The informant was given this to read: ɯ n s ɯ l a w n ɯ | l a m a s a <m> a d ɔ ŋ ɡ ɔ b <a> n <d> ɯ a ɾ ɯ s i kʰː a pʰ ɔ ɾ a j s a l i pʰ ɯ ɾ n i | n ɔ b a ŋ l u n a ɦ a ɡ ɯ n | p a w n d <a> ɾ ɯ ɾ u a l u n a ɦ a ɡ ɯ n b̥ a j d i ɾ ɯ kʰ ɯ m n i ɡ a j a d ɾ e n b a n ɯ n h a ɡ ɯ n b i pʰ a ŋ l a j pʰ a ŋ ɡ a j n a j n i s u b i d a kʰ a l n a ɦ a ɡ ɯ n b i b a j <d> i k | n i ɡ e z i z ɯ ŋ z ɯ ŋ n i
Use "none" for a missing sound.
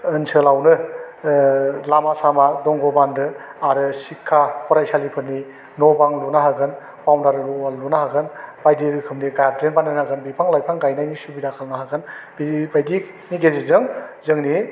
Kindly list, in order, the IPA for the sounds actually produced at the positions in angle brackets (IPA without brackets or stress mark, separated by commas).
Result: m, a, d, a, d